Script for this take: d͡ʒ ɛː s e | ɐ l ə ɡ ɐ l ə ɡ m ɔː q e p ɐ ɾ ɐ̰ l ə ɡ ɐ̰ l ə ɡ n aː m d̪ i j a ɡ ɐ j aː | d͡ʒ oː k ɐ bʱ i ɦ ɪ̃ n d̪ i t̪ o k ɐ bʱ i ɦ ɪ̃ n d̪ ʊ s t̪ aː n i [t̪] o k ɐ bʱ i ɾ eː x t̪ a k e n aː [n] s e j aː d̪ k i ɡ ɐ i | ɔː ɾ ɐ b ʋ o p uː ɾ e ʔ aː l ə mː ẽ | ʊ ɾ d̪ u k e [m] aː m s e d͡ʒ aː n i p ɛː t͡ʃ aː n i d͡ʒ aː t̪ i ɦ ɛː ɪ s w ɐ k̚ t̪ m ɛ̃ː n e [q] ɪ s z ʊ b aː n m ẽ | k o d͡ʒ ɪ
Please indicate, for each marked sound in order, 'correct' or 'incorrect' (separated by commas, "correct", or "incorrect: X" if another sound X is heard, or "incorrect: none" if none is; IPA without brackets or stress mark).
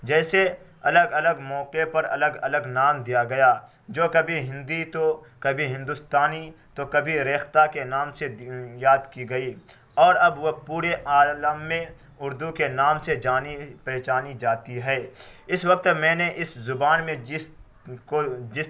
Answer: correct, incorrect: m, incorrect: n, incorrect: ʔ